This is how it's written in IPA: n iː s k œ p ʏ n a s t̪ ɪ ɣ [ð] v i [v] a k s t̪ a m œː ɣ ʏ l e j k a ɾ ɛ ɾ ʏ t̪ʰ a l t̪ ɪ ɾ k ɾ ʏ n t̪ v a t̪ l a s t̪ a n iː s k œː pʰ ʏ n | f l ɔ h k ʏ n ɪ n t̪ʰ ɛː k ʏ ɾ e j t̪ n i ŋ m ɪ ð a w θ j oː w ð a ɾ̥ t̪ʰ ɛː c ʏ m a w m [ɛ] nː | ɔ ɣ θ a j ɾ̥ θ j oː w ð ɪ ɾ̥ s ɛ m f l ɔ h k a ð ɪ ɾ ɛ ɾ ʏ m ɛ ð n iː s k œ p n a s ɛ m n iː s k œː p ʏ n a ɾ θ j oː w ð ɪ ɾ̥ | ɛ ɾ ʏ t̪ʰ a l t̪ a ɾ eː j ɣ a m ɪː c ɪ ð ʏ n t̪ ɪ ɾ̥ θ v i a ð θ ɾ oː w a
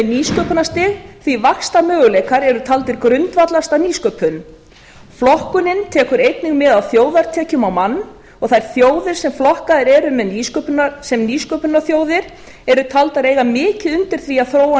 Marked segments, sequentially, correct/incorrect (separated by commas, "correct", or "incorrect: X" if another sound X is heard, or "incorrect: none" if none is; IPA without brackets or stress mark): incorrect: θ, correct, incorrect: a